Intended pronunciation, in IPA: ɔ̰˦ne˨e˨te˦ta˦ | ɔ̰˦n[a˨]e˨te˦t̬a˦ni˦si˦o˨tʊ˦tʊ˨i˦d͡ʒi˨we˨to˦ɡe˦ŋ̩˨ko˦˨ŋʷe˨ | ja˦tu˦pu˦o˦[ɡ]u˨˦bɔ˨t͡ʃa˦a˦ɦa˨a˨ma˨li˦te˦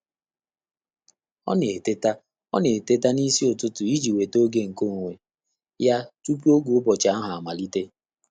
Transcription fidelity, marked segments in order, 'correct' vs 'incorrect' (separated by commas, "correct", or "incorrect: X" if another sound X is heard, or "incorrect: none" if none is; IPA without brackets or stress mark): incorrect: e˨, correct